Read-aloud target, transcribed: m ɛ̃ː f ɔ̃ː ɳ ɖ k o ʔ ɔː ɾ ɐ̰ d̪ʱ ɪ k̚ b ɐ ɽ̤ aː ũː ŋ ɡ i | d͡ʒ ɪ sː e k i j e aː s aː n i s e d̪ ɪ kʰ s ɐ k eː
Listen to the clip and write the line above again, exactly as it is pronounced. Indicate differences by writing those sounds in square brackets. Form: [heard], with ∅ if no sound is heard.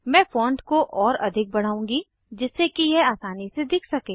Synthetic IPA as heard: m ɛ̃ː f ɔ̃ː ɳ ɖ k o ʔ ɔː ɾ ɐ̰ d̪ʱ ɪ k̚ b ɐ ɽ̤ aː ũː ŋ ɡ i | d͡ʒ ɪ sː e k i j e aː s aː n i s e d̪ ɪ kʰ s ɐ k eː